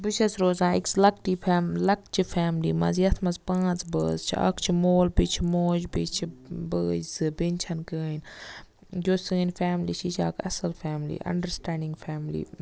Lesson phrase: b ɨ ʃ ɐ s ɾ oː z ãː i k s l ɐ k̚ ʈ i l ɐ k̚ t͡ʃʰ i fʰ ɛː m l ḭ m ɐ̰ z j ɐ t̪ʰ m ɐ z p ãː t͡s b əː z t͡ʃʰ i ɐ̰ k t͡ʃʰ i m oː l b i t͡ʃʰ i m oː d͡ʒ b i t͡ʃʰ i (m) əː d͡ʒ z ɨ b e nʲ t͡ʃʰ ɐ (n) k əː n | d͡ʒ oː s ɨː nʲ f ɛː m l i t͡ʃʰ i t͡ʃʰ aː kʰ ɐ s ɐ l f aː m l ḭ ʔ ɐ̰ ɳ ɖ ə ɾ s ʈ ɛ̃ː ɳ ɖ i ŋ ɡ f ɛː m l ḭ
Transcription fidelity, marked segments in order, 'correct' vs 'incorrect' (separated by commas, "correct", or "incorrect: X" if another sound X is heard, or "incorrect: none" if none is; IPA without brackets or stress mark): incorrect: b, correct